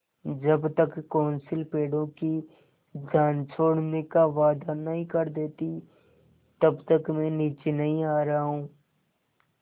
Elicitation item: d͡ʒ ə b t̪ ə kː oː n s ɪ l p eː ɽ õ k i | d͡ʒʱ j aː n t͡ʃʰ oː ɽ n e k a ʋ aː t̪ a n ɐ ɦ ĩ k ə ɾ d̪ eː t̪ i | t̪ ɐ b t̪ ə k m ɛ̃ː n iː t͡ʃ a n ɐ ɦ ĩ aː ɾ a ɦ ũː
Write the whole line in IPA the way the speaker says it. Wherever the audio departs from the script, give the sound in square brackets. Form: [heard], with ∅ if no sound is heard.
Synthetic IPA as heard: d͡ʒ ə b t̪ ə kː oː n s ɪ l p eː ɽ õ k i | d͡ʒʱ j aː n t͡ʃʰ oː ɽ n e k a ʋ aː [d̪] a n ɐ ɦ ĩ k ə ɾ d̪ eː t̪ i | t̪ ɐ b t̪ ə k m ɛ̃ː n iː t͡ʃ [e] n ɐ ɦ ĩ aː ɾ a ɦ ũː